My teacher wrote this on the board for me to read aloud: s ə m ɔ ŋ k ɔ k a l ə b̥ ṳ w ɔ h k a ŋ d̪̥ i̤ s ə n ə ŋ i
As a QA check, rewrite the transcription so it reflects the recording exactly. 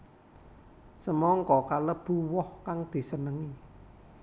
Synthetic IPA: s ə m ɔ ŋ k ɔ k a l ə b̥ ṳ w ɔ h k a ŋ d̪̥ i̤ s ə n ə ŋ i